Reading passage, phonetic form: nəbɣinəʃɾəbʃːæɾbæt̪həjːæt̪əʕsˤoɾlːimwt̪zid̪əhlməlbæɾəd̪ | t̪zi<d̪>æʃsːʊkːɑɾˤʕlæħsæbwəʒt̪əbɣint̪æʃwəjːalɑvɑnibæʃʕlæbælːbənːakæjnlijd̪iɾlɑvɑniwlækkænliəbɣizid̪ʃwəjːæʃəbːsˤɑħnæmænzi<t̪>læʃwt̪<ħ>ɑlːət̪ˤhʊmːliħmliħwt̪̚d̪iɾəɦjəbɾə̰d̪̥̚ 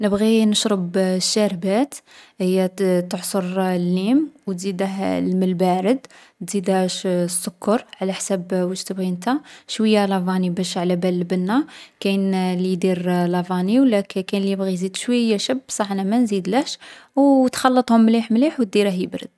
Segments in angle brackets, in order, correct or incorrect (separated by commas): correct, incorrect, incorrect